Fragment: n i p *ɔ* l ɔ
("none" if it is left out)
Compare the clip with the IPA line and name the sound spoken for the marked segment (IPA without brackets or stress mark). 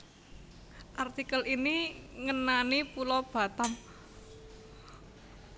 u